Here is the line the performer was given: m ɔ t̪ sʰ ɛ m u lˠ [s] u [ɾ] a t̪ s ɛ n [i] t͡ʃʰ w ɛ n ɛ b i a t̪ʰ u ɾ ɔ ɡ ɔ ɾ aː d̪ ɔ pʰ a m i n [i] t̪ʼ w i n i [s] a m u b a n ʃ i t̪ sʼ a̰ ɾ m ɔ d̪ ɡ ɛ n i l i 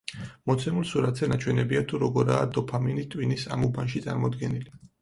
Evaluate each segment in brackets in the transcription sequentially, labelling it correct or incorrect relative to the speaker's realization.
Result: correct, correct, incorrect: a, correct, correct

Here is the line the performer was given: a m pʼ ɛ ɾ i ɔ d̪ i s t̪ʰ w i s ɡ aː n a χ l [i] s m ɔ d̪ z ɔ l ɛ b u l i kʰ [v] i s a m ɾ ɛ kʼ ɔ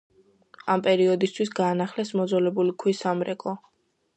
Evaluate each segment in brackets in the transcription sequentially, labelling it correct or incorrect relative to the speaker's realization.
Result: incorrect: ɛ, incorrect: w

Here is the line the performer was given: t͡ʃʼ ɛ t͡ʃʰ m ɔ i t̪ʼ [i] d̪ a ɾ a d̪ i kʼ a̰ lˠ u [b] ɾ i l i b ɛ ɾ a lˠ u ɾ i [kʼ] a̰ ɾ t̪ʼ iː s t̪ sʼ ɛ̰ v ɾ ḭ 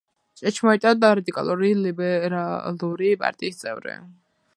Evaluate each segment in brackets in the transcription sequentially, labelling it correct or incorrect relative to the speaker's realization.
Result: incorrect: a, incorrect: none, incorrect: pʼ

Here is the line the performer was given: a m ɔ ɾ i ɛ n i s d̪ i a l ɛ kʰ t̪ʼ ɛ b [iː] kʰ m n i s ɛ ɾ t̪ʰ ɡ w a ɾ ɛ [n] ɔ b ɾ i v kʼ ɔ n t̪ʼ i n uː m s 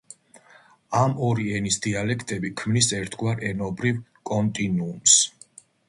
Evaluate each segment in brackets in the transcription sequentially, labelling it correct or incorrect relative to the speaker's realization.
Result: incorrect: i, correct

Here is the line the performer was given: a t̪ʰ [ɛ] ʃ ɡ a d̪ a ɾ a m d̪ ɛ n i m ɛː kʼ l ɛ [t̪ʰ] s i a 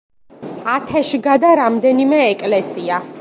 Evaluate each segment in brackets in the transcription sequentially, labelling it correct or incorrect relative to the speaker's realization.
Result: correct, incorrect: none

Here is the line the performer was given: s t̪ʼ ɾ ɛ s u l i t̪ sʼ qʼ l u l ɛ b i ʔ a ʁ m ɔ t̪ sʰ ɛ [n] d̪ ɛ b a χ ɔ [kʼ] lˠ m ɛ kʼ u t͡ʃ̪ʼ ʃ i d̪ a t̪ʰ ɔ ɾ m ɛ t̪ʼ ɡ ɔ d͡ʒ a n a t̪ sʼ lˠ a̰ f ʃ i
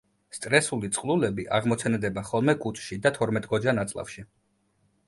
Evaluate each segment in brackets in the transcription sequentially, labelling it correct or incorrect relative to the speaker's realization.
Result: correct, incorrect: none

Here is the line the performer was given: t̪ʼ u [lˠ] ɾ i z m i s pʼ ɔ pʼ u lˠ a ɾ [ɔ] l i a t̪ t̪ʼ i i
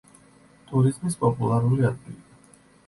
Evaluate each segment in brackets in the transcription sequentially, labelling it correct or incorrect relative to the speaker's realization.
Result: incorrect: none, incorrect: u

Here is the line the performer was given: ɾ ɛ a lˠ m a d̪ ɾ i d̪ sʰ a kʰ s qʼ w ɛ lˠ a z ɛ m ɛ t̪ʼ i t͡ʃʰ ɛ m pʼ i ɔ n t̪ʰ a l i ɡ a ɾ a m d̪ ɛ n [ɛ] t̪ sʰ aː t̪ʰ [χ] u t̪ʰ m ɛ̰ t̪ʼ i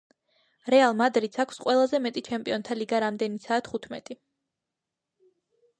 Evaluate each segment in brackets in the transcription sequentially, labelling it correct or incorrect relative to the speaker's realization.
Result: incorrect: i, correct

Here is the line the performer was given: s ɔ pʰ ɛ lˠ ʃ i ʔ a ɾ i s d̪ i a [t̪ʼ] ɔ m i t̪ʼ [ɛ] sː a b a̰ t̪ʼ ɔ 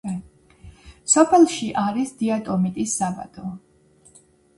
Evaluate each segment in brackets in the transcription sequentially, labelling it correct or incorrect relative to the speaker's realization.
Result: correct, incorrect: i

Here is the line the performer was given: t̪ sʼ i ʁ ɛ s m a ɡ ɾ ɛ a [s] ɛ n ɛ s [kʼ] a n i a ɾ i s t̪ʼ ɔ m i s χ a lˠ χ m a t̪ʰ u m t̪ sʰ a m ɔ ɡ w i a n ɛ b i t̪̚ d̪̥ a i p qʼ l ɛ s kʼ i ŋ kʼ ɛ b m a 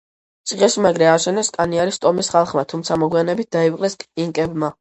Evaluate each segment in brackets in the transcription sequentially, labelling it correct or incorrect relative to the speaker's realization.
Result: incorrect: ʃ, correct

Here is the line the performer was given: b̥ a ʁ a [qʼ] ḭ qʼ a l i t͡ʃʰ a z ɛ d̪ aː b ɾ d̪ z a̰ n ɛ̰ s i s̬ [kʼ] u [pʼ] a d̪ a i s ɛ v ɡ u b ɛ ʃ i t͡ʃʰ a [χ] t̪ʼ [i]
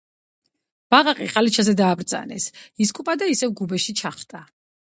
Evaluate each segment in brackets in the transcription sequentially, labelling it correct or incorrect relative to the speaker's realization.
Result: correct, correct, correct, correct, incorrect: a

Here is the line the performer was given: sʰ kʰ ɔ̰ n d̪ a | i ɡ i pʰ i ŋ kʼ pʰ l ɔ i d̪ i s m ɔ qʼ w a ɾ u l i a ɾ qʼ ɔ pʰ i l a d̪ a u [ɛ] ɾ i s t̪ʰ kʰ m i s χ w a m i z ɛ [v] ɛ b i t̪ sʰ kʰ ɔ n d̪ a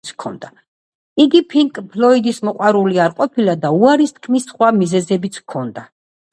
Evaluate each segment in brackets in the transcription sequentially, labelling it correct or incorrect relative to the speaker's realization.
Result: incorrect: a, incorrect: z

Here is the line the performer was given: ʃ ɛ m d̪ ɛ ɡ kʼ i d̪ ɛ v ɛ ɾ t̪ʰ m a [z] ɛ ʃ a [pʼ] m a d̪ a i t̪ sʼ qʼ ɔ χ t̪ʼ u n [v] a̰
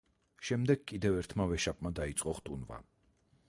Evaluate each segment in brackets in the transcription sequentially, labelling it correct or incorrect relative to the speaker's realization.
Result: incorrect: v, correct, correct

